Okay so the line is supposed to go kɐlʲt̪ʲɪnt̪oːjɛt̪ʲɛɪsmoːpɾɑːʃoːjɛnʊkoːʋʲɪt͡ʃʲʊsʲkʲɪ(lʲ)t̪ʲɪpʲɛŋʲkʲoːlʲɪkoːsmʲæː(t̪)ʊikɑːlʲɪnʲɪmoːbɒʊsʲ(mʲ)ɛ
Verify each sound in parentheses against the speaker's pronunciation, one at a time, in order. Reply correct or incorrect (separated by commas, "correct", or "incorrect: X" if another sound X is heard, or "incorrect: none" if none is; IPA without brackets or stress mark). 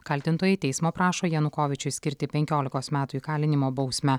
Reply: incorrect: ɾʲ, correct, correct